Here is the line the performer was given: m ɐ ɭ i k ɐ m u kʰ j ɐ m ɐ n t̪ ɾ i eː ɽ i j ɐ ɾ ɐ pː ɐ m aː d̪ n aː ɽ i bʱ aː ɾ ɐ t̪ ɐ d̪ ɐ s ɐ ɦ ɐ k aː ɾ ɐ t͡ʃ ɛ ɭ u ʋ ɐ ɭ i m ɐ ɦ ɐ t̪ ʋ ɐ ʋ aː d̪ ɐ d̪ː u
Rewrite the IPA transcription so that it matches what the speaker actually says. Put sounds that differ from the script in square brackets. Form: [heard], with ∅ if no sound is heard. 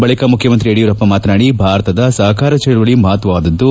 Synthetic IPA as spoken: [b] ɐ ɭ i k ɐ m u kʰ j ɐ m ɐ n t̪ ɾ i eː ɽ i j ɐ ɾ ɐ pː ɐ m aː [t̪] n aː ɽ i bʱ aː ɾ ɐ t̪ ɐ d̪ ɐ s ɐ ɦ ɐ k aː ɾ ɐ t͡ʃ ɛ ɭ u ʋ ɐ ɭ i m ɐ ɦ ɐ t̪ ʋ ɐ ʋ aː d̪ ɐ d̪ː u